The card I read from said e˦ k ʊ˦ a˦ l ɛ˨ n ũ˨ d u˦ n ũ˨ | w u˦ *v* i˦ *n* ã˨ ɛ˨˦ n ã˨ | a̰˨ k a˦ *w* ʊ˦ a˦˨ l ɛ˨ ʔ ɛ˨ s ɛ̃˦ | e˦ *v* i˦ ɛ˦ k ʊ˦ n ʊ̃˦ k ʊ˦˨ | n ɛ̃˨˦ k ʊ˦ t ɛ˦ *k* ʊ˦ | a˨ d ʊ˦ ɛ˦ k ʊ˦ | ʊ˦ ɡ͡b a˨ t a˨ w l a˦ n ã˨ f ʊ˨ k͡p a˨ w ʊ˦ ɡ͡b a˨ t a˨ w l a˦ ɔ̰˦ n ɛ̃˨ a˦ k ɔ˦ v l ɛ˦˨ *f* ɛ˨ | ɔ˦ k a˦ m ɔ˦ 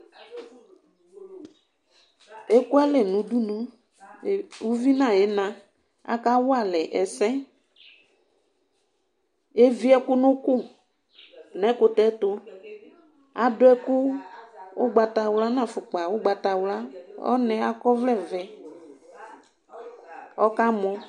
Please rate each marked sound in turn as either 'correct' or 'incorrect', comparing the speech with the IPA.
correct, correct, correct, correct, incorrect: t, incorrect: v

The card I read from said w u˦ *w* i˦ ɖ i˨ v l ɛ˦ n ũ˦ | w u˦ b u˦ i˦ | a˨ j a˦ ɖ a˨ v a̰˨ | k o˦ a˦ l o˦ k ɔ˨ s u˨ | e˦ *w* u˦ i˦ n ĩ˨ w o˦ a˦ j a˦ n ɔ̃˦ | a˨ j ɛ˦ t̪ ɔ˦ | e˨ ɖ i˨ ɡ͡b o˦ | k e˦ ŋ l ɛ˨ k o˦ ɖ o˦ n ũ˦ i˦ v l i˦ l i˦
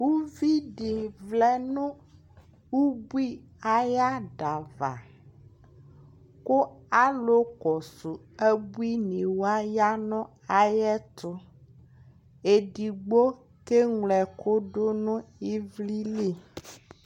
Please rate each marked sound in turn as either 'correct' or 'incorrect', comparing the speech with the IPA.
incorrect: v, incorrect: b

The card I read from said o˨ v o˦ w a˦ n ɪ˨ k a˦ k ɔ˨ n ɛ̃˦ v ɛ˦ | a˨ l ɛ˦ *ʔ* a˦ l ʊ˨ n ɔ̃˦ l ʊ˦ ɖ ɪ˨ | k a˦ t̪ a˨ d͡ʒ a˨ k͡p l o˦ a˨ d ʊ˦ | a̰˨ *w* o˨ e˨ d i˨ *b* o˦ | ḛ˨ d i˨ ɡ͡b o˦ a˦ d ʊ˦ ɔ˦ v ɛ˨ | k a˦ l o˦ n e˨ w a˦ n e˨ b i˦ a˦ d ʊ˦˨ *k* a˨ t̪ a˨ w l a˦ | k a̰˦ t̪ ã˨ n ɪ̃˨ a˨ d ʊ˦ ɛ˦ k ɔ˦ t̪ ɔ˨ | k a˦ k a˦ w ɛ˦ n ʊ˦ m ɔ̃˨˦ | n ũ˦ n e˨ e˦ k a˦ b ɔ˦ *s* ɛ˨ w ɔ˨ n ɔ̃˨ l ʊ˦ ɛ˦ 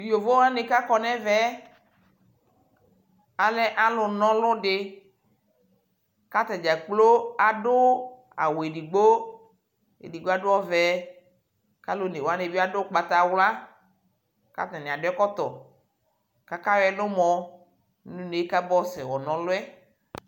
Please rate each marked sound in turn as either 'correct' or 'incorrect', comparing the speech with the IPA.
correct, correct, incorrect: ɡ͡b, incorrect: k͡p, correct

